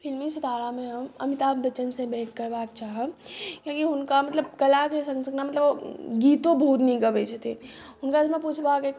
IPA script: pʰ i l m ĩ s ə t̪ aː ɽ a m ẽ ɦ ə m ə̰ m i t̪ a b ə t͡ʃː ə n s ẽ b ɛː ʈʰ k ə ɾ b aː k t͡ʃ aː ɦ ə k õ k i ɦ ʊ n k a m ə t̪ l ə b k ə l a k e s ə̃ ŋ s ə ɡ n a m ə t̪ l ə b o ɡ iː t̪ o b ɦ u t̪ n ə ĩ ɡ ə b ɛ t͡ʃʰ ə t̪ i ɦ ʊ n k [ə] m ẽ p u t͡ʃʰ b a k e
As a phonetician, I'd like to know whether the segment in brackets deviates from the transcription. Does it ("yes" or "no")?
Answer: yes